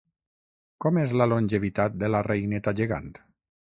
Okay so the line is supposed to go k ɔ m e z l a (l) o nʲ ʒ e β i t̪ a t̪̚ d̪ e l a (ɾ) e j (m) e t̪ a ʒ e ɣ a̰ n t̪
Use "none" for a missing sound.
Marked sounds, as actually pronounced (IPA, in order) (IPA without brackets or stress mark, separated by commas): l, r, n